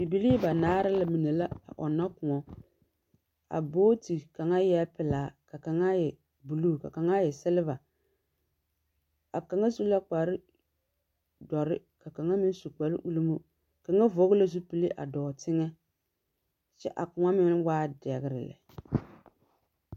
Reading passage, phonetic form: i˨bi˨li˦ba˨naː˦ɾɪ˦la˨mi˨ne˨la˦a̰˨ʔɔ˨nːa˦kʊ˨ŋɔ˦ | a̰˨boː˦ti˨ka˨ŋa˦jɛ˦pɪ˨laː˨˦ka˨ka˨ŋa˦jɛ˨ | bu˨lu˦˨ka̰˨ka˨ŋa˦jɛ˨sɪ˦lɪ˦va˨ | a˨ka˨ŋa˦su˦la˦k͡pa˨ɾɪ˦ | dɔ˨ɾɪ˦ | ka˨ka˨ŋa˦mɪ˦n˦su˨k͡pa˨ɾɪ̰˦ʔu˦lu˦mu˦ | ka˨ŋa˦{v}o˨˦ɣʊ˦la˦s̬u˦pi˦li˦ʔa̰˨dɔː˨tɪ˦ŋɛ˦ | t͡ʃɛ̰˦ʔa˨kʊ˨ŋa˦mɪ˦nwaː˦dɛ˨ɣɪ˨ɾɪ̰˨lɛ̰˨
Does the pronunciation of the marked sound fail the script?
no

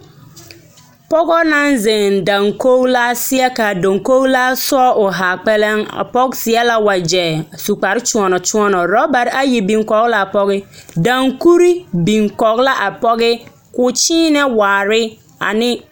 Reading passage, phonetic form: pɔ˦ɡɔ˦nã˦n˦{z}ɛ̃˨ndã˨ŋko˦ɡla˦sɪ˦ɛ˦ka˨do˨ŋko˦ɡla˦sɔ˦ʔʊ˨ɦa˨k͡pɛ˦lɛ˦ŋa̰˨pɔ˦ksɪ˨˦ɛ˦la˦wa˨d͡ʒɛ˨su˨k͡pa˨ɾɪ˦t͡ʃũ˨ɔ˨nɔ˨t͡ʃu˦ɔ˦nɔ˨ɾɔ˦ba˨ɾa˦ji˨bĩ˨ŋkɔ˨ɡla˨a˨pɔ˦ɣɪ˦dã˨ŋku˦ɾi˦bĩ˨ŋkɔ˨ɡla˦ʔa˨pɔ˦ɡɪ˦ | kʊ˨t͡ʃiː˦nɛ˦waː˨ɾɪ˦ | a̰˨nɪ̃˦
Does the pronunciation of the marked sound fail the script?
no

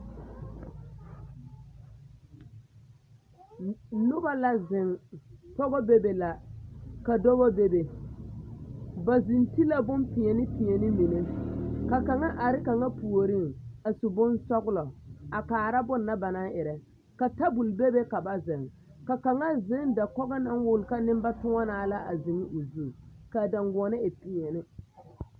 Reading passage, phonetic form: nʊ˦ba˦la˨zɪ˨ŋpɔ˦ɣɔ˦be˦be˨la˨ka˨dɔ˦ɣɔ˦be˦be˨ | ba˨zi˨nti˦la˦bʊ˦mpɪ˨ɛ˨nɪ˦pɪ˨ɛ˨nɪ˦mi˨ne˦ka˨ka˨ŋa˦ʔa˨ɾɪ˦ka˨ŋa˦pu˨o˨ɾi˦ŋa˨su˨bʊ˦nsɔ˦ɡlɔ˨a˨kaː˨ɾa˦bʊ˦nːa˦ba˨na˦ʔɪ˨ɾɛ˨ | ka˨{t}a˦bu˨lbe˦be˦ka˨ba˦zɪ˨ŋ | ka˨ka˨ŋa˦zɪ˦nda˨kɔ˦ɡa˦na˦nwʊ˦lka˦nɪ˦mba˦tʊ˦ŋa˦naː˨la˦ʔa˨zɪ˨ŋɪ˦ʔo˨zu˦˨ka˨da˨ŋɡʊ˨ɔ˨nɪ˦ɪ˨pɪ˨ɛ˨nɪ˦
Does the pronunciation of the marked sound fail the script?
no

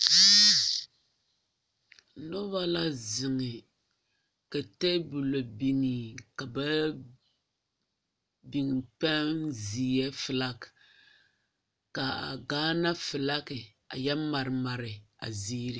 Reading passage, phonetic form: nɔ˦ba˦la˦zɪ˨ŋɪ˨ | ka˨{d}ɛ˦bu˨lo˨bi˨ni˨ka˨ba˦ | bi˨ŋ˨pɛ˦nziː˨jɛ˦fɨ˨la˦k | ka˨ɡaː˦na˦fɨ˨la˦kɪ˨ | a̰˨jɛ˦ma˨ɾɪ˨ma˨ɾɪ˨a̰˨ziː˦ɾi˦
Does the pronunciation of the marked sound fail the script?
yes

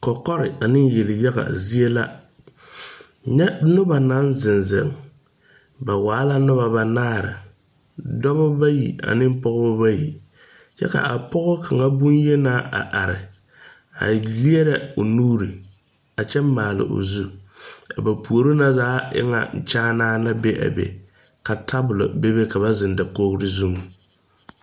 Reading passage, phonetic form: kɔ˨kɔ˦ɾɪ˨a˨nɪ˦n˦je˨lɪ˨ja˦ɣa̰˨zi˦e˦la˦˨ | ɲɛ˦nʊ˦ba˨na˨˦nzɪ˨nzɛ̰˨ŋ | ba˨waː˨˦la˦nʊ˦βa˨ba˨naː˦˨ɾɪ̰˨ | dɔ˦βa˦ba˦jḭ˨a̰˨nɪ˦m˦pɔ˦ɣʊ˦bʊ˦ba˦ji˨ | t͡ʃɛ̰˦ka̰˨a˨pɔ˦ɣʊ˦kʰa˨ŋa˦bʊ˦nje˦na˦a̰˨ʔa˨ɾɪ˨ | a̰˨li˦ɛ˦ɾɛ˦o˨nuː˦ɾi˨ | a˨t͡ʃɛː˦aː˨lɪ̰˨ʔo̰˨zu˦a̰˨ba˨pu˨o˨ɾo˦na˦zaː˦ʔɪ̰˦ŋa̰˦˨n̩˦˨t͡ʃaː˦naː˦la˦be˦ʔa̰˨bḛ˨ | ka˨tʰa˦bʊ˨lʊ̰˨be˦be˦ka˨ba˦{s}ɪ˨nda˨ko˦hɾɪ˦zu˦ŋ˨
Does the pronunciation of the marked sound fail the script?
yes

